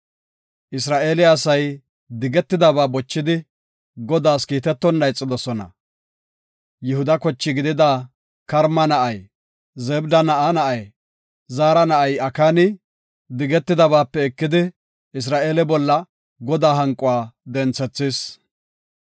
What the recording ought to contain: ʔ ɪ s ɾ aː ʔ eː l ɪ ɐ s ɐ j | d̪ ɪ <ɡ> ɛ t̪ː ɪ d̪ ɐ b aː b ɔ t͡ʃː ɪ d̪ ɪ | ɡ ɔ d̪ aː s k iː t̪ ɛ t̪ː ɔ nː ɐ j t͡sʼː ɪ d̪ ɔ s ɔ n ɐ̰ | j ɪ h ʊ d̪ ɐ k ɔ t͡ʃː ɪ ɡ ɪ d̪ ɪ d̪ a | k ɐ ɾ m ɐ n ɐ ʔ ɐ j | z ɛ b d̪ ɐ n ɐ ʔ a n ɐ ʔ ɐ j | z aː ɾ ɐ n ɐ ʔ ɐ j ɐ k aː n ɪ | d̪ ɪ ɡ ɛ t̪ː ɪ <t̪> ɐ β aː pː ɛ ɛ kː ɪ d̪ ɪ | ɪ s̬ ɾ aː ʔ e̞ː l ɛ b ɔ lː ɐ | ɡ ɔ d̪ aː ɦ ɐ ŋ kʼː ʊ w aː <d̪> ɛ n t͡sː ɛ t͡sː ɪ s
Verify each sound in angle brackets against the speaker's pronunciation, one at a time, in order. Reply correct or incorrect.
correct, incorrect: d̪, correct

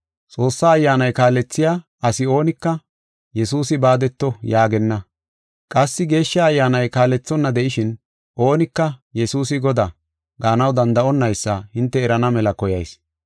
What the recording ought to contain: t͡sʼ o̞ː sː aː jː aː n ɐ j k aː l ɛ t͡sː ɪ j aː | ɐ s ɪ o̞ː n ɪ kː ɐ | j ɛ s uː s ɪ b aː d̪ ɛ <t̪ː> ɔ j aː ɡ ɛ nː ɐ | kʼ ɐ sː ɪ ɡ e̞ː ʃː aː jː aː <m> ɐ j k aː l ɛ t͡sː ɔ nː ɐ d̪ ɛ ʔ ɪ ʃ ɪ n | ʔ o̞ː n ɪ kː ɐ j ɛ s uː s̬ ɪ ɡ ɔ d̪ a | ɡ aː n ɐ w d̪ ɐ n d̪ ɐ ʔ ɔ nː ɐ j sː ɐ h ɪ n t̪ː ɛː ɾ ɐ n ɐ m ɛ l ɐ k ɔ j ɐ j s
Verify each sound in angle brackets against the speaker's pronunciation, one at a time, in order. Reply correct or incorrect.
correct, incorrect: n

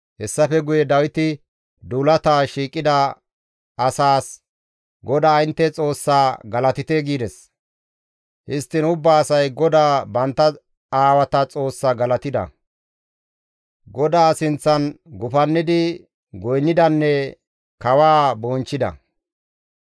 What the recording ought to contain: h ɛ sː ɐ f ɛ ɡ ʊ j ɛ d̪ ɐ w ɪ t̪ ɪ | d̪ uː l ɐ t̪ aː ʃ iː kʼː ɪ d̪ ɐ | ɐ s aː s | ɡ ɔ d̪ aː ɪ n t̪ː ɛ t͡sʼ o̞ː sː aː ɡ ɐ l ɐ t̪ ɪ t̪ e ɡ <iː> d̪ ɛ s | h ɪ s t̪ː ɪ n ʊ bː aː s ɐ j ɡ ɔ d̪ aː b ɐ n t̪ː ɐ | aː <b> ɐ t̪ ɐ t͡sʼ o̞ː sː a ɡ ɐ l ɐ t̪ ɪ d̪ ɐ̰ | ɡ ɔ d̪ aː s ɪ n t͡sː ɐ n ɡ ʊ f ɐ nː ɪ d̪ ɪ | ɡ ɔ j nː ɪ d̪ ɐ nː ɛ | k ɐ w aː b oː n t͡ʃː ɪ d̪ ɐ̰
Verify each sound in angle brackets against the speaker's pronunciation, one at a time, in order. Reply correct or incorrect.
correct, incorrect: w

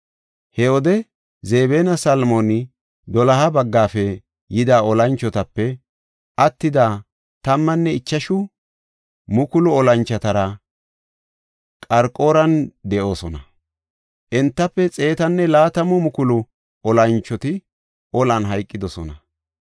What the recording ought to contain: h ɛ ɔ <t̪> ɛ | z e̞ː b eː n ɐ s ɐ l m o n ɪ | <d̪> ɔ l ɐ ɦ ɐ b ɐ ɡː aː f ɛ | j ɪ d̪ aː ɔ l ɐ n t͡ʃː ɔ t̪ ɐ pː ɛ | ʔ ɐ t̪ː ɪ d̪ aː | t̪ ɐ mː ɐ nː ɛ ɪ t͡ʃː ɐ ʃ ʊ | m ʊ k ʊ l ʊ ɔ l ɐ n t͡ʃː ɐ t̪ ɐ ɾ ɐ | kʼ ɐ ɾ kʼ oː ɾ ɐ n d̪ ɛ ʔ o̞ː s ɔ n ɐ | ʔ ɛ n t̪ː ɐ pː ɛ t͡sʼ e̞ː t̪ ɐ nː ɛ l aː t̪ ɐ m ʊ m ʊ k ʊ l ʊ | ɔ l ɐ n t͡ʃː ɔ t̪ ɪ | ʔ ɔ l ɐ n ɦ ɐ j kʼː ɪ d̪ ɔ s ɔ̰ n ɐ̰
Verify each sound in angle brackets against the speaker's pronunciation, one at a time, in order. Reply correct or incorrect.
incorrect: d̪, correct

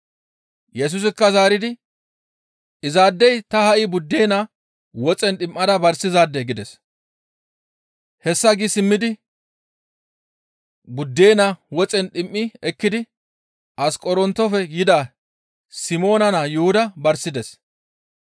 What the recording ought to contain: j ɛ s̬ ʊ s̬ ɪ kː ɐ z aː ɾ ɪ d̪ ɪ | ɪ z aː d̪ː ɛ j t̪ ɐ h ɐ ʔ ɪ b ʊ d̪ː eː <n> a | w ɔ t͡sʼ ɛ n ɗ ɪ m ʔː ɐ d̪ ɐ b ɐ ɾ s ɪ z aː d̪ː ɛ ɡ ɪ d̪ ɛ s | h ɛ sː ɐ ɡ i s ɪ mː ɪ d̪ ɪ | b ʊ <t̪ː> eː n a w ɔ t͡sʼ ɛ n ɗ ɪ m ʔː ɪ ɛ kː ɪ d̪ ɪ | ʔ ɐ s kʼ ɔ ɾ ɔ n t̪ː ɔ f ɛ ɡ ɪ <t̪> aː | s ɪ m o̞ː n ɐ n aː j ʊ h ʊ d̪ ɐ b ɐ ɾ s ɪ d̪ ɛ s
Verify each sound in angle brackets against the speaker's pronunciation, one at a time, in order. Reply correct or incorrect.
correct, incorrect: d̪ː, incorrect: d̪

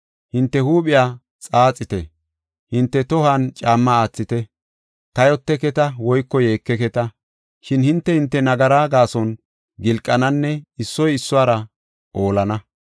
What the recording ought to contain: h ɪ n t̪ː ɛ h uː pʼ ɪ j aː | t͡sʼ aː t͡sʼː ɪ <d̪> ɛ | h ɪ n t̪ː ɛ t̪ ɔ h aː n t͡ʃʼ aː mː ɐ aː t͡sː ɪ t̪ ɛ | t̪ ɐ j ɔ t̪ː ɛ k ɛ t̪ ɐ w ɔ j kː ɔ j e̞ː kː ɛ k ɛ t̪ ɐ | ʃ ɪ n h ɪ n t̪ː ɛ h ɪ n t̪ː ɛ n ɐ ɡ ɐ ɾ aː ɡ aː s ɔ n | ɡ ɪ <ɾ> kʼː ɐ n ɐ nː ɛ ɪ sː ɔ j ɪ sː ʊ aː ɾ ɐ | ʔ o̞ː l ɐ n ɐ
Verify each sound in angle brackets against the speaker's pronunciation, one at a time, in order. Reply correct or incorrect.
incorrect: t̪, incorrect: l

